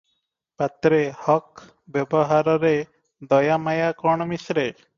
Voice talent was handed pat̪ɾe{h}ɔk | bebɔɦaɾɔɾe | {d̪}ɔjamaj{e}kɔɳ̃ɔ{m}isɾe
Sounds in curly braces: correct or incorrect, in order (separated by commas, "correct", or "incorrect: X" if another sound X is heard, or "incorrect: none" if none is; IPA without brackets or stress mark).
correct, correct, incorrect: a, correct